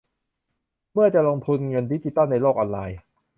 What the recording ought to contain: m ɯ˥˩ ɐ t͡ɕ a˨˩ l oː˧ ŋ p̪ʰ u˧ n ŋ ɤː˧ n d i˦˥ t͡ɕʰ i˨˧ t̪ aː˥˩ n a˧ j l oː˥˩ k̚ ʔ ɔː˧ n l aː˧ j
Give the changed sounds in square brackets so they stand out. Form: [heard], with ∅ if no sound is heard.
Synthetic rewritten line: m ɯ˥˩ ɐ t͡ɕ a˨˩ l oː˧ ŋ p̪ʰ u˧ n ŋ [ɤ˧] n d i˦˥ [t͡ɕ] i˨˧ t̪ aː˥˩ n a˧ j l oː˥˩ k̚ ʔ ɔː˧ n l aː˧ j